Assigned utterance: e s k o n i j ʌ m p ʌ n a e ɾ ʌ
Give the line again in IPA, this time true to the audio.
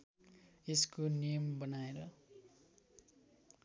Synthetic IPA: e s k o n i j ʌ m b ʌ n a e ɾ ʌ